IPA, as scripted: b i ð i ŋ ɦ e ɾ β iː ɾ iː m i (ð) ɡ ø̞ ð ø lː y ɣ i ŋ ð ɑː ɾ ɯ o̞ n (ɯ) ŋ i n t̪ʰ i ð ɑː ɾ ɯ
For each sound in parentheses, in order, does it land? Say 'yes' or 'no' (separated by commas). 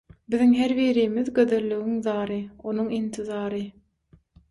yes, no